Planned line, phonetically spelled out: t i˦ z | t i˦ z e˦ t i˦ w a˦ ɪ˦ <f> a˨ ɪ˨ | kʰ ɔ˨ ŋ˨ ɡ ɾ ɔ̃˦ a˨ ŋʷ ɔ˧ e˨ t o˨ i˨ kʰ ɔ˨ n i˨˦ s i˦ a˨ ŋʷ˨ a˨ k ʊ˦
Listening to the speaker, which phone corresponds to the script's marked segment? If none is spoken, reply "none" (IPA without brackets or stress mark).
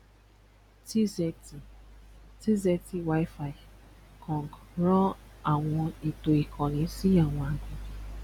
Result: f